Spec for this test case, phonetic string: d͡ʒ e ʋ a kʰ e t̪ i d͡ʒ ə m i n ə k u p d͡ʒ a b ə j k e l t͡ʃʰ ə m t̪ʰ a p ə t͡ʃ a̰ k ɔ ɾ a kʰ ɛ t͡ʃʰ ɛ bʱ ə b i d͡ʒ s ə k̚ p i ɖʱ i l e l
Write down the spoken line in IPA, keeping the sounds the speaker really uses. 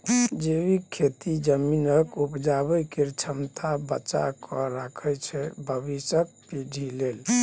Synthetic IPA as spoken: d͡ʒ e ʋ i kʰ e t̪ i d͡ʒ ə m i n ə k u p d͡ʒ a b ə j k e ɾ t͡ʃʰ ə m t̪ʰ a b ə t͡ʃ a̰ k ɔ ɾ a kʰ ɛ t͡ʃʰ ɛ bʱ ə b i s ə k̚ p i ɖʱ i l e l